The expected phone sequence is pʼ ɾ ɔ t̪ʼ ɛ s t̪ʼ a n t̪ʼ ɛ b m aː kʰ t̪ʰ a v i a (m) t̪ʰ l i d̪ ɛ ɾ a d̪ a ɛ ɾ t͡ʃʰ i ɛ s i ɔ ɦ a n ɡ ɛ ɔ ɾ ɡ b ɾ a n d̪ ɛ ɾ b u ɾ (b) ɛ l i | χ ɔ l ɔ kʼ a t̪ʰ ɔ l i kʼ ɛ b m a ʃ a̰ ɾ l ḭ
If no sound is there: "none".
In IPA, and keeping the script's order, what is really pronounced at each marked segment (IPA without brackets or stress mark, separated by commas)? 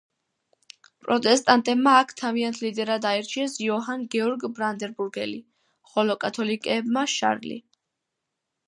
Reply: n, ɡ